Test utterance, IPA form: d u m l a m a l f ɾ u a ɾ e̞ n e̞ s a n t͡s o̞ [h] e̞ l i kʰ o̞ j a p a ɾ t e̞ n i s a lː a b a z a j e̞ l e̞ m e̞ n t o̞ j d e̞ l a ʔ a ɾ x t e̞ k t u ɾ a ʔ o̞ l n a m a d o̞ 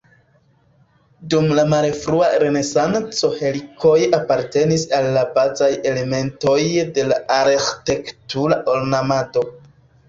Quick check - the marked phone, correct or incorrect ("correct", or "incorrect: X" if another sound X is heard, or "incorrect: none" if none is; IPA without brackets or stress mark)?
correct